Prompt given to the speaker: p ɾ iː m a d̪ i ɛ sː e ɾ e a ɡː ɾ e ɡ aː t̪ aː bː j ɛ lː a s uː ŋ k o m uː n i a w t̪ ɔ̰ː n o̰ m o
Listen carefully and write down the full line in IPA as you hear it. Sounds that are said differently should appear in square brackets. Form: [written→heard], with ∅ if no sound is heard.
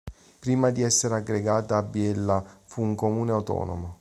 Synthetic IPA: p ɾ iː m a d̪ i ɛ sː e ɾ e a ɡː ɾ e ɡ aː t̪ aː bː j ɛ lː a [s→f] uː ŋ k o m uː n [i→e] a w t̪ ɔ̰ː n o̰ m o